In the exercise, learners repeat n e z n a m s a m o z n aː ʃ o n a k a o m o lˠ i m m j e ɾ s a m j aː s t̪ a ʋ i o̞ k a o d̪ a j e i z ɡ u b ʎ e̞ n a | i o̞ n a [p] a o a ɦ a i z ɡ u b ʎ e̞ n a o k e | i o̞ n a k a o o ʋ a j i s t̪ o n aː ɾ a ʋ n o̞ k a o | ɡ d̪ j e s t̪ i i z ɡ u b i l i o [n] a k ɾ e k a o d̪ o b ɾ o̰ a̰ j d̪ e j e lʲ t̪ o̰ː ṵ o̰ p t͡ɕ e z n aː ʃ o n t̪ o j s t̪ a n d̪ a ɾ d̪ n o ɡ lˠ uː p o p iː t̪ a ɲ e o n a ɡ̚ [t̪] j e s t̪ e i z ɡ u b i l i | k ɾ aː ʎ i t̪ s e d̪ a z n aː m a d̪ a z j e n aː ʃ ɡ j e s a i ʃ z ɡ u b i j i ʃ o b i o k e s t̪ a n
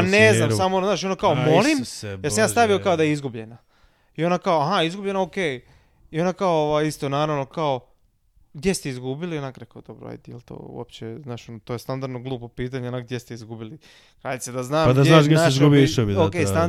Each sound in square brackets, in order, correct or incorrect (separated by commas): incorrect, correct, incorrect